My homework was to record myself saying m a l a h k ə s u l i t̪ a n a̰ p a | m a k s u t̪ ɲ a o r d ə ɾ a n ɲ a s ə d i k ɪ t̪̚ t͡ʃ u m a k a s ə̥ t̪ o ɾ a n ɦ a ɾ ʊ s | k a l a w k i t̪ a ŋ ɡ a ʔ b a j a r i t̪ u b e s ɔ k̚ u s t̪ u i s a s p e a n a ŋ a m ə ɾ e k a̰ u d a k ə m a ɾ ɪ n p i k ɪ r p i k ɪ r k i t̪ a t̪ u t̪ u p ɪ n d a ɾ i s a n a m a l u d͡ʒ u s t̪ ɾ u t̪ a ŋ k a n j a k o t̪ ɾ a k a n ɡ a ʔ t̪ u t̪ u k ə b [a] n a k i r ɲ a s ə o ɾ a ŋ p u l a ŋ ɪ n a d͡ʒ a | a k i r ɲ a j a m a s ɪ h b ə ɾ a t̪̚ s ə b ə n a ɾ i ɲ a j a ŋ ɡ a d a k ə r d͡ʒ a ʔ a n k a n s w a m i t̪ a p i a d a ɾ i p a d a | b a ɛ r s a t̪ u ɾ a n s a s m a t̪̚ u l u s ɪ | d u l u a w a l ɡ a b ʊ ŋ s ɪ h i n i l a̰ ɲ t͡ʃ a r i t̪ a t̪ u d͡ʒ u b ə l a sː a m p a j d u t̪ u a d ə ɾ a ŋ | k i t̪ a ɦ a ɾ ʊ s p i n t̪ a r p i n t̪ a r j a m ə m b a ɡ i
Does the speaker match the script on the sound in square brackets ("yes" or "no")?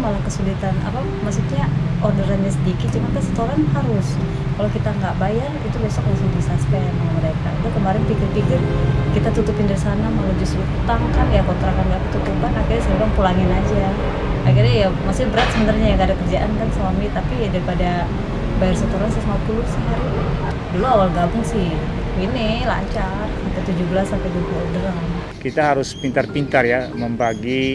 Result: yes